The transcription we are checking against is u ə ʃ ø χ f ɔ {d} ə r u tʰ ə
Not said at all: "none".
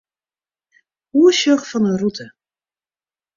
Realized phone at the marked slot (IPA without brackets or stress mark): n